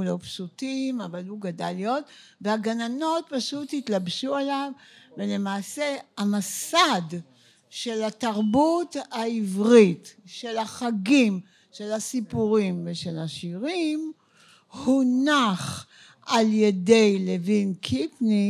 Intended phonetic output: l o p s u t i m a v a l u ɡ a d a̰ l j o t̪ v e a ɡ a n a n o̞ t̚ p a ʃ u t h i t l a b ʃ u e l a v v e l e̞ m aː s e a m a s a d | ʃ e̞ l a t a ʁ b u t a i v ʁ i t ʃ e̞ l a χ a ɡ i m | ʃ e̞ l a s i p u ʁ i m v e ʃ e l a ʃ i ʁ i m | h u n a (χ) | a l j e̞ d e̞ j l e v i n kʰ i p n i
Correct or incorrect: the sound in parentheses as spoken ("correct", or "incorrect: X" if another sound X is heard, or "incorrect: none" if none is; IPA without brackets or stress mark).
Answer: correct